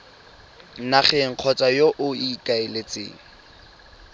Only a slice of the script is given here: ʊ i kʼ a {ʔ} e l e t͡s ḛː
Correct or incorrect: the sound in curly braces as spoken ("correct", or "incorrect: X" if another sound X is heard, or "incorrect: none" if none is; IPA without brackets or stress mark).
incorrect: none